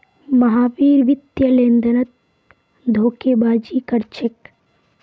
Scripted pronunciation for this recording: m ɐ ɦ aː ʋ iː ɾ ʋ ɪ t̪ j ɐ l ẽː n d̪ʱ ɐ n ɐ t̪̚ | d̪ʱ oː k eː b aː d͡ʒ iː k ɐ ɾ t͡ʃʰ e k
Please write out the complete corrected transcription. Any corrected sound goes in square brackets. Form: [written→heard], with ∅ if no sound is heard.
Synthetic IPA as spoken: m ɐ ɦ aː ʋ iː ɾ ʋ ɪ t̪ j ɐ l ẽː n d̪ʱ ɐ n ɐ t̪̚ | d̪ʱ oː k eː b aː d͡ʒ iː k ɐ ɾ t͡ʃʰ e k